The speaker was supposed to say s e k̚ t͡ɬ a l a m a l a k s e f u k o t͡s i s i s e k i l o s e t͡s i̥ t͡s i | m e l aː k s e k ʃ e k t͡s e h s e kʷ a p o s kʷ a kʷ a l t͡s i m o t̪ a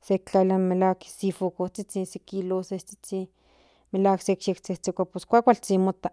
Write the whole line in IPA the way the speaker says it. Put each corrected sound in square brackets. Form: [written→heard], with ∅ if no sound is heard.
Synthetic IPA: s e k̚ t͡ɬ a l a m [a→e] l a k s [e→i] f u k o t͡s i [s→t͡s] i s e k i l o s e t͡s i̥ t͡s i | m e l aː k s e k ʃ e k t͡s e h [s→t͡s] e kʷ a p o s kʷ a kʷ a l t͡s i m o t̪ a